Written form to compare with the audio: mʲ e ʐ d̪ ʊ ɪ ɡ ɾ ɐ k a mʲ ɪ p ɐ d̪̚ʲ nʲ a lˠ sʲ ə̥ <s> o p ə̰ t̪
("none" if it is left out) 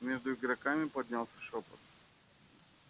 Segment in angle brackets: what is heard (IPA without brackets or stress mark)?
ʂ